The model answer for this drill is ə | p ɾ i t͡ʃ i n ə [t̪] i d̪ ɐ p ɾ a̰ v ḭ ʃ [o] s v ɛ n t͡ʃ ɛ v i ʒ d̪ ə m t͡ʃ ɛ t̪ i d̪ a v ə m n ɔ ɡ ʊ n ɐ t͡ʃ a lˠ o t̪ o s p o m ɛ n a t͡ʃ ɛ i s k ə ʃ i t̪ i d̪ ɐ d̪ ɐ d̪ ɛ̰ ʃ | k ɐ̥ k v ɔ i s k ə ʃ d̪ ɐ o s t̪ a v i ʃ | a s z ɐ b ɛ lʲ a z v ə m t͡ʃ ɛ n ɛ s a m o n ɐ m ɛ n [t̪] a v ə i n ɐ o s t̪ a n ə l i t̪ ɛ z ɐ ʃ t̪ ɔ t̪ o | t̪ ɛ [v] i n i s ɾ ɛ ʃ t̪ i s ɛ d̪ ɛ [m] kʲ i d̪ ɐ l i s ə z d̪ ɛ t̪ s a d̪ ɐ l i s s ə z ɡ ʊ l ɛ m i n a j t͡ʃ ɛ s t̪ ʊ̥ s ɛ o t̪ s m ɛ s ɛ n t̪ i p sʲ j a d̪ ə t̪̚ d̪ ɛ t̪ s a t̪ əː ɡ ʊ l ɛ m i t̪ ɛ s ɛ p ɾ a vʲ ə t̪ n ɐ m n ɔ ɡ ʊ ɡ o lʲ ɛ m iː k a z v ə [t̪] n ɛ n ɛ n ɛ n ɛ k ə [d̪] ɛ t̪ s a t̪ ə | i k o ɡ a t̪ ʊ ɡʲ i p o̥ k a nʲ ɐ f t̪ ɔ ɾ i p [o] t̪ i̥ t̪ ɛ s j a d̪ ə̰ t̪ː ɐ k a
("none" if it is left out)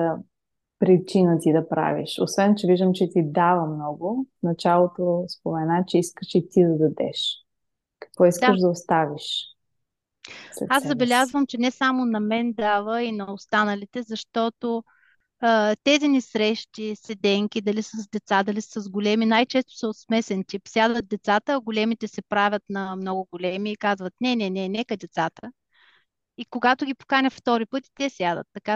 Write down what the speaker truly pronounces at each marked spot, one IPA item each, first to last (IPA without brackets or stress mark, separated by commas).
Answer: t̪, o, d̪, z, ŋ, t̪, d̪, ɤ